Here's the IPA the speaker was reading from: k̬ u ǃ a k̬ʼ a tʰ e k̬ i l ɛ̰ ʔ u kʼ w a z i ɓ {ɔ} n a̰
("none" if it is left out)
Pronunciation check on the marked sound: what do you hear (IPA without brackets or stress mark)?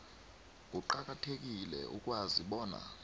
ɔː